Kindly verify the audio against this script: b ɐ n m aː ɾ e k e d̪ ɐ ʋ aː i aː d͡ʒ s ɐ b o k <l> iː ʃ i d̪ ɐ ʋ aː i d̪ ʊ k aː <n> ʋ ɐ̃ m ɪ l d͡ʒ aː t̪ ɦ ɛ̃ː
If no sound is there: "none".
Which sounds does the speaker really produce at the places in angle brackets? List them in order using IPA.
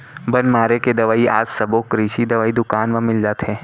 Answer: ɾ, n

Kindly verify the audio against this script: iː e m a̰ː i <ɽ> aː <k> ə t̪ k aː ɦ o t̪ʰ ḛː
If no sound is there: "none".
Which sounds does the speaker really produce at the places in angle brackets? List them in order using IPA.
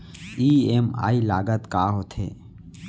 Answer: l, ɡ

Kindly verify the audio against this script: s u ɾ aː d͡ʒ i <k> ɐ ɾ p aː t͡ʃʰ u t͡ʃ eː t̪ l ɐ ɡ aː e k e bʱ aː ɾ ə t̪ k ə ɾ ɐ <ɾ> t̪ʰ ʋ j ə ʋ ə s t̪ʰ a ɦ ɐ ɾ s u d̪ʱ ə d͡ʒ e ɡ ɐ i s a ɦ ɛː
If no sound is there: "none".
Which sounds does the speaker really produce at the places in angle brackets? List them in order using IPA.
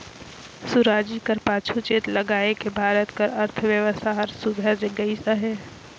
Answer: k, ɾ

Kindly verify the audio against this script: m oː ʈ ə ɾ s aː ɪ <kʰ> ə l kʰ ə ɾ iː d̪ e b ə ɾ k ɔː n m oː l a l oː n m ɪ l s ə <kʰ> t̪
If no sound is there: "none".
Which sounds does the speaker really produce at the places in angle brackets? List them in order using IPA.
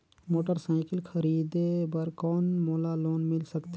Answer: k, k

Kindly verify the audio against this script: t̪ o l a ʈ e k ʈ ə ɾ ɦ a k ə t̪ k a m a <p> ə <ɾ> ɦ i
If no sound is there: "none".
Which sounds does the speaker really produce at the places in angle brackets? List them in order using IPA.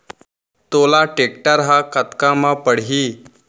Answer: p, ɽ

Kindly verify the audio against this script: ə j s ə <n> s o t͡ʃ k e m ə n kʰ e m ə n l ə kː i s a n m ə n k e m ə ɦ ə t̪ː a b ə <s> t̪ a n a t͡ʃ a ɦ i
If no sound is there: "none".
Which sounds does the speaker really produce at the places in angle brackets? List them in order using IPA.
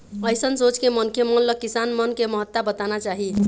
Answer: n, none

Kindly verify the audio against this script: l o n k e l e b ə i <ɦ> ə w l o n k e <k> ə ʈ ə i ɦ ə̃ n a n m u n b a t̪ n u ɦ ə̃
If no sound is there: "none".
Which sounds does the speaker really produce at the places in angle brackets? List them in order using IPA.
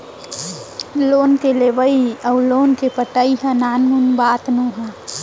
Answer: none, p

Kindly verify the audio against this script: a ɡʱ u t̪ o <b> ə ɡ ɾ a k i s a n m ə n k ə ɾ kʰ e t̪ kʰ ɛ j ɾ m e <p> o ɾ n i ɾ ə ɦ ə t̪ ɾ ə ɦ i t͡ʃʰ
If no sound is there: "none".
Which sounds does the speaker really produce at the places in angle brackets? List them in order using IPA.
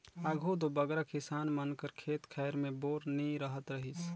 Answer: b, b

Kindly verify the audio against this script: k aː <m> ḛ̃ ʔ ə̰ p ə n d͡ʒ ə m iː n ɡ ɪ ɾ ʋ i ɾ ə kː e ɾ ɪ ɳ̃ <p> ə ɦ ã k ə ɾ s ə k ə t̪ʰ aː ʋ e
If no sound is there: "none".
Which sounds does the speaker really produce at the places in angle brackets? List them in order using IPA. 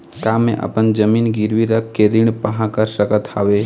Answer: m, p

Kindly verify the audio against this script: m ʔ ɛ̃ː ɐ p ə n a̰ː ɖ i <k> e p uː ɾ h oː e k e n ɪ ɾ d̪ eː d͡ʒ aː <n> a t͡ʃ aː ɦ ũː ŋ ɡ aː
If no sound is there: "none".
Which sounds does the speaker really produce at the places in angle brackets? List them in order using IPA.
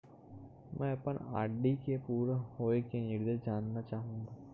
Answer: k, nː

